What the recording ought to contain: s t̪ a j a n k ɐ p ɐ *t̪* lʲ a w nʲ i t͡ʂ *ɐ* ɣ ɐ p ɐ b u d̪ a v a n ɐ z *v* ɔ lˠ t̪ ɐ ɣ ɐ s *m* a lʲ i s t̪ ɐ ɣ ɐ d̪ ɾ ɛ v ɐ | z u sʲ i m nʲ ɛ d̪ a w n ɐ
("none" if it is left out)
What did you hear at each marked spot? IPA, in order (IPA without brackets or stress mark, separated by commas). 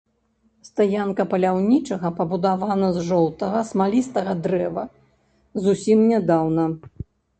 none, ɐ, ʐ, m